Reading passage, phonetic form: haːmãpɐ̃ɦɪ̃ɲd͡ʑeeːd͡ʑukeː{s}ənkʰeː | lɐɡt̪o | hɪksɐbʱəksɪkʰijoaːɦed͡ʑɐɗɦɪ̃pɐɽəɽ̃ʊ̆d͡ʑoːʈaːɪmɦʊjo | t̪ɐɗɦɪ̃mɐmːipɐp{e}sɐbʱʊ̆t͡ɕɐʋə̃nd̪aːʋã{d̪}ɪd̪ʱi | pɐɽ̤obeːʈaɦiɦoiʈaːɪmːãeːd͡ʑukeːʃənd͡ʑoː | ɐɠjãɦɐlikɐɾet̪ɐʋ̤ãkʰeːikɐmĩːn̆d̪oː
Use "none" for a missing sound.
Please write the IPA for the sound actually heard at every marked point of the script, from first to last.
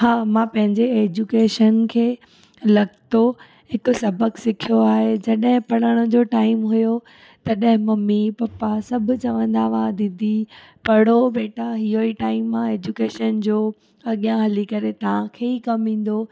ʃ, a, d̪

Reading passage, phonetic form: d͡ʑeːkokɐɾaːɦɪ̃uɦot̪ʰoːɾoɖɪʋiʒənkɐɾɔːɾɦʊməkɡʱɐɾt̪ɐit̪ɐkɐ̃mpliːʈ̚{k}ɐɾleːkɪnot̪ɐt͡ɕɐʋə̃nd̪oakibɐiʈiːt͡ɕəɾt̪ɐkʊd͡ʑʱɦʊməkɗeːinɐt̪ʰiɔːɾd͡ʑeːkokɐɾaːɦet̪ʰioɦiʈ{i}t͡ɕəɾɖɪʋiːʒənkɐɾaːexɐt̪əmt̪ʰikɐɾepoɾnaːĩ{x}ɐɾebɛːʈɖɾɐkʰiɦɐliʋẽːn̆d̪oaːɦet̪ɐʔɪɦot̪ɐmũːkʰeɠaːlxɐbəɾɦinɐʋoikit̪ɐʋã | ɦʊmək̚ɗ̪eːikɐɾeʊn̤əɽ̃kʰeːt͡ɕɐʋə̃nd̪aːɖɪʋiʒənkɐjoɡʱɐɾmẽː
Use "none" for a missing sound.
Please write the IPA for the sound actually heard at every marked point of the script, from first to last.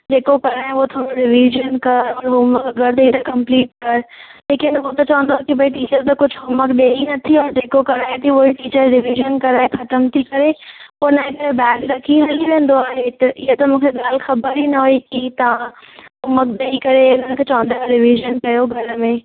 k, iː, k

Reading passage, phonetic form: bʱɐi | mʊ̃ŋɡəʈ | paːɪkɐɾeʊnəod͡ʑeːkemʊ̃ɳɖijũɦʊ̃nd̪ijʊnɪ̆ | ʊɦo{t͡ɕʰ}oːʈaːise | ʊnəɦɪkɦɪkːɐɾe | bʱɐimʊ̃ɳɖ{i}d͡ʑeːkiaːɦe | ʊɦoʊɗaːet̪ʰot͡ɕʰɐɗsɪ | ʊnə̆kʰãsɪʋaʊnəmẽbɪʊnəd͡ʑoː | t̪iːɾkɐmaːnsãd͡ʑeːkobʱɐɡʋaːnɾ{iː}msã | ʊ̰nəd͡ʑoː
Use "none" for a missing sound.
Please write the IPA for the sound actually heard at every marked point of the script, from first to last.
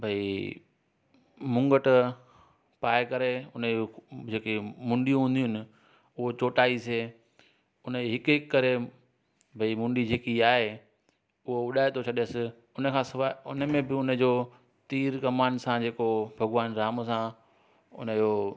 t͡ɕ, i, aː

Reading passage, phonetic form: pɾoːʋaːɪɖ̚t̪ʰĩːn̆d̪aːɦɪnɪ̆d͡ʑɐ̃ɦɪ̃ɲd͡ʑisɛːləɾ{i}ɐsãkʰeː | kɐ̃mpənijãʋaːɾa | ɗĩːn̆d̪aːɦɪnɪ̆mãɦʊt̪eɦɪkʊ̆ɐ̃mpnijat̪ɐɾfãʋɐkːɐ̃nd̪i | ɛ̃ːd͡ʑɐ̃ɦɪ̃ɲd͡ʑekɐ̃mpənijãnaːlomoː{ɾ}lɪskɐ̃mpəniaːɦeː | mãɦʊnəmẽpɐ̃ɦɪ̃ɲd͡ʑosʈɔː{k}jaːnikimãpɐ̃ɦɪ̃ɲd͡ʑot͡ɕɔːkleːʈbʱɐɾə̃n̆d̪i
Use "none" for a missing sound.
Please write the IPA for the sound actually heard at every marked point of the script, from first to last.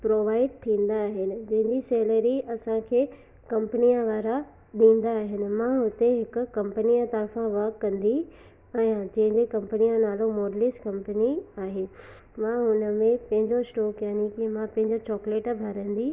i, ɾ, k

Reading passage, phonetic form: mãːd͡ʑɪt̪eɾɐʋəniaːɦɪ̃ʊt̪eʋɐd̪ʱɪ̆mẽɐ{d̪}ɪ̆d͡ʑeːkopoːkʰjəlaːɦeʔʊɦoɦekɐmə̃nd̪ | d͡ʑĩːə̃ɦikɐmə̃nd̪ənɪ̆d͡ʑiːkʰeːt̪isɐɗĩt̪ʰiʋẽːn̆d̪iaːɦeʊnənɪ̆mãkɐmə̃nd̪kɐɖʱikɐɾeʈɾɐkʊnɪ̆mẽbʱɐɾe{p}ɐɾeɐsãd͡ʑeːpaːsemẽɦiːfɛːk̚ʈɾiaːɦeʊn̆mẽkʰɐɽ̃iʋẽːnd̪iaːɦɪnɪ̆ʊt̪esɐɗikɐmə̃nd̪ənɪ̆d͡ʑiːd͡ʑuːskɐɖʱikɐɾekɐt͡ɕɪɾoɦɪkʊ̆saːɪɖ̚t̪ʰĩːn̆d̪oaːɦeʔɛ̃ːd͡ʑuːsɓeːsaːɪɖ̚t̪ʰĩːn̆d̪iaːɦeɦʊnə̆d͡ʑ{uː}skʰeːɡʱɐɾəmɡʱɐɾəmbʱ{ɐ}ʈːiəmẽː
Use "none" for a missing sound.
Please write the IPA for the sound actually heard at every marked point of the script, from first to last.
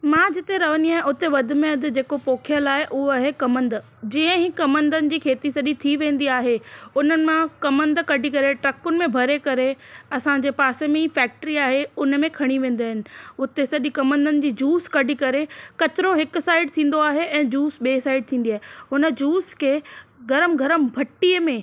d̪, k, uː, ɐ

